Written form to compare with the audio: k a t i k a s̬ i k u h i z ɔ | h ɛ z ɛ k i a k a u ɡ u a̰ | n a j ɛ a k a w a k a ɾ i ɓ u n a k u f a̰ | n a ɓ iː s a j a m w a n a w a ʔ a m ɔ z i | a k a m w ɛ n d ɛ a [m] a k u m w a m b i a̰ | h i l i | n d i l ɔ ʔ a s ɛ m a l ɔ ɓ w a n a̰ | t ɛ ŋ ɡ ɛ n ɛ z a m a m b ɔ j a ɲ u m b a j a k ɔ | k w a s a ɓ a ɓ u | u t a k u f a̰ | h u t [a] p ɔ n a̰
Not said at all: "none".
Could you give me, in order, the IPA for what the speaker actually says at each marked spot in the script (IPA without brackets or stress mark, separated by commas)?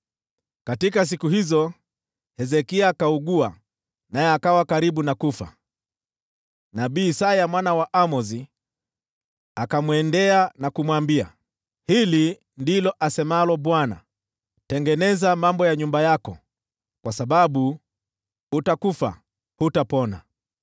n, a